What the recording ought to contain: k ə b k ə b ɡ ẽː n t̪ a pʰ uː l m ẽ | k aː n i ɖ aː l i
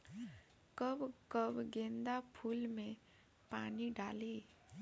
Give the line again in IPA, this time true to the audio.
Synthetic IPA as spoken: k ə b k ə b ɡ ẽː n d̪ a pʰ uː l m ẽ | p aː n i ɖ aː l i